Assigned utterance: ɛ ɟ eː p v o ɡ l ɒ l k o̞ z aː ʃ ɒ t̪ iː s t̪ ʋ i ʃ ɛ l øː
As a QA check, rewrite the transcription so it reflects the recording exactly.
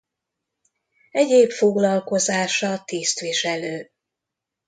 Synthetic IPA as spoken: ɛ ɟ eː p f o ɡ l ɒ l k o̞ z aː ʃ ɒ t̪ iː s t̪ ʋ i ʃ ɛ l øː